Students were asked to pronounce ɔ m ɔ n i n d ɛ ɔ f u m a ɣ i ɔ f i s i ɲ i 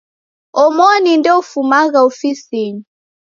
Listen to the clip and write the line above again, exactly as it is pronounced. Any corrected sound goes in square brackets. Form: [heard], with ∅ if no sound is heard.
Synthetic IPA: ɔ m ɔ n i n d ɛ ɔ f u m a ɣ [a] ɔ f i s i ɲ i

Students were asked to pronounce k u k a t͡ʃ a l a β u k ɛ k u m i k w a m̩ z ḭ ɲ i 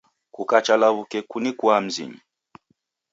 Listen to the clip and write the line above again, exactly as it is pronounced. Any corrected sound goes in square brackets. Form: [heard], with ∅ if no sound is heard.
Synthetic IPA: k u k a t͡ʃ a l a β u k ɛ k u [n] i k w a m̩ z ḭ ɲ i

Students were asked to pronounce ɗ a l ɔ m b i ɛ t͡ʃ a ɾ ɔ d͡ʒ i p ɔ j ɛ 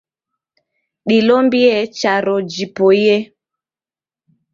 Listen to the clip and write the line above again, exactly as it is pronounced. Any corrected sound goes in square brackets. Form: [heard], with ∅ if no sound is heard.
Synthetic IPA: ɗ [i] l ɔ m b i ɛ t͡ʃ a ɾ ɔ d͡ʒ i p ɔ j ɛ

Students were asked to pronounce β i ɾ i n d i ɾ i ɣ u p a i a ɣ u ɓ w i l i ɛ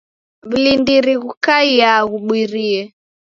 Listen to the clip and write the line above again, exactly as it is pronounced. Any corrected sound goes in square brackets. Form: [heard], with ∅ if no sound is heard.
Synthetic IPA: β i [l] i n d i ɾ i ɣ u [k] a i a ɣ u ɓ w i [ɾ] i ɛ

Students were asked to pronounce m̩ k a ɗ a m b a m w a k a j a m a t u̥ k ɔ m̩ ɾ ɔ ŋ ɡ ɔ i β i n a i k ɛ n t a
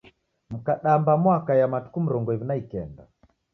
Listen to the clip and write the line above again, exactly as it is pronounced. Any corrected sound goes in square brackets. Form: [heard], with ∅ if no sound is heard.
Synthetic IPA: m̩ k a ɗ a m b a m w a k a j a m a t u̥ k [u] m̩ ɾ ɔ ŋ ɡ ɔ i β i n a i k ɛ n [d] a

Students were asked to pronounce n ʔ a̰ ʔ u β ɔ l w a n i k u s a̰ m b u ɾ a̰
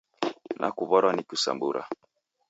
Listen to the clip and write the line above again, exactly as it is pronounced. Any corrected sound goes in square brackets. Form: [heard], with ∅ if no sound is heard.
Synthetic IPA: n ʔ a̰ [k] u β ɔ [ɾ] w a n i k u s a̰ m b u ɾ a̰

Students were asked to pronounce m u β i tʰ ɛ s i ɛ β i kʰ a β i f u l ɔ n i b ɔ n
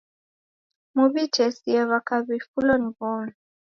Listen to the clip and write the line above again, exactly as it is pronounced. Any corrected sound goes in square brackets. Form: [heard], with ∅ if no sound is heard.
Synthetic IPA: m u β i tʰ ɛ s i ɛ β [a] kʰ a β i f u l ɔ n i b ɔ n

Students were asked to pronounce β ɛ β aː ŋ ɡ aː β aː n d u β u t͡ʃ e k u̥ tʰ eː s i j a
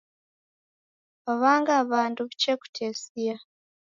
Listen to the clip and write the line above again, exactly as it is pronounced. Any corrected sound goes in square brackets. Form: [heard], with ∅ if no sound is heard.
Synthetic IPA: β [a] β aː ŋ ɡ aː β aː n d u β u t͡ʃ e k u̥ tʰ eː s i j a

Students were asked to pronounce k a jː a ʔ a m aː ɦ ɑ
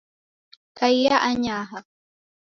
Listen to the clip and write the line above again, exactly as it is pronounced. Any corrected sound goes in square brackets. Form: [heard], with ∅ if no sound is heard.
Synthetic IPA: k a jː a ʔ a [ɲ] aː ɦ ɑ

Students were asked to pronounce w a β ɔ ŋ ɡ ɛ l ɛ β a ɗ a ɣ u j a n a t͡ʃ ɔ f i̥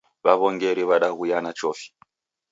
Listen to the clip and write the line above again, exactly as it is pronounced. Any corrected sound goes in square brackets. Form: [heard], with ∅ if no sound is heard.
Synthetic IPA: [β] a β ɔ ŋ ɡ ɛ [ɾ] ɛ β a ɗ a ɣ u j a n a t͡ʃ ɔ f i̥

